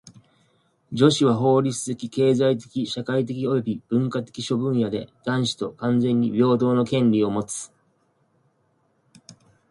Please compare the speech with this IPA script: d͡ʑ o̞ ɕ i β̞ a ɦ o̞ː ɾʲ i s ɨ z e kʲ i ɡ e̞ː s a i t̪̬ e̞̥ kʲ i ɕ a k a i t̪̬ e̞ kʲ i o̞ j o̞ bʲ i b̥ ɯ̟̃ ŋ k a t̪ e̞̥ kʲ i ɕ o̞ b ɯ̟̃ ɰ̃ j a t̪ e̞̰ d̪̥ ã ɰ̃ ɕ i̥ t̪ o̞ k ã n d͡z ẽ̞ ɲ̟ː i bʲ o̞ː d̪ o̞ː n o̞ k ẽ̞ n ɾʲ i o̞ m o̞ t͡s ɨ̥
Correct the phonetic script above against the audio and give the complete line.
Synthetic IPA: d͡ʑ o̞ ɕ i β̞ a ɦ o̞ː ɾʲ i t͡s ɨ z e kʲ i k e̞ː z a i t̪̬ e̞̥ kʲ i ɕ a k a i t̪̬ e̞ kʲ i o̞ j o̞ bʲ i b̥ ɯ̟̃ ŋ k a t̪ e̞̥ kʲ i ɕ o̞ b ɯ̟̃ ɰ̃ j a d̪ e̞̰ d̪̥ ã ɰ̃ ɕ i̥ t̪ o̞ k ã n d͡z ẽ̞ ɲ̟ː i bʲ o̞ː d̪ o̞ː n o̞ k ẽ̞ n ɾʲ i o̞ m o̞ t͡s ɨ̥